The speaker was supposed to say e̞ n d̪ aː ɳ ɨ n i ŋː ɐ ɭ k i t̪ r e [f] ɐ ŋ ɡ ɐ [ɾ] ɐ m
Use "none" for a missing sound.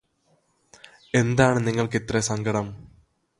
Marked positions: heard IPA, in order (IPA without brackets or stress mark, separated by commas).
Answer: s, ɽ